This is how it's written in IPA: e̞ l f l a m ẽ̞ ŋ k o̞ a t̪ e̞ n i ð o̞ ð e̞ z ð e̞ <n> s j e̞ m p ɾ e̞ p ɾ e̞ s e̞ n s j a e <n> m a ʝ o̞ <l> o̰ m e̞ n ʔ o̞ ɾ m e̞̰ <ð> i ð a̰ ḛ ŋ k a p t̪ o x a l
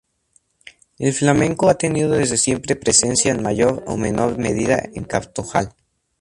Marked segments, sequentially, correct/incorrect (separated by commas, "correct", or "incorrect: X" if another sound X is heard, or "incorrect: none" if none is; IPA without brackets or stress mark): incorrect: none, correct, incorrect: ɾ, correct